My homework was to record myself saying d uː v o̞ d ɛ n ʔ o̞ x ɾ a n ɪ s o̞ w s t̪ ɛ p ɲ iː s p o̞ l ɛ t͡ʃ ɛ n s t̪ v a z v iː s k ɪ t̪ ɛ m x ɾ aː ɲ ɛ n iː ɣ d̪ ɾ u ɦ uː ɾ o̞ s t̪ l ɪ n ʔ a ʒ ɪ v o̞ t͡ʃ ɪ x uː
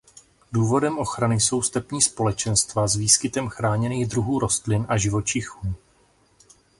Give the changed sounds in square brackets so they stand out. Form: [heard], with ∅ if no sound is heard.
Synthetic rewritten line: d uː v o̞ d ɛ [m] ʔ o̞ x ɾ a n ɪ s o̞ w s t̪ ɛ p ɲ iː s p o̞ l ɛ t͡ʃ ɛ n s t̪ v a z v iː s k ɪ t̪ ɛ m x ɾ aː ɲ ɛ n iː ɣ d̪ ɾ u ɦ uː ɾ o̞ s t̪ l ɪ n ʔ a ʒ ɪ v o̞ t͡ʃ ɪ x uː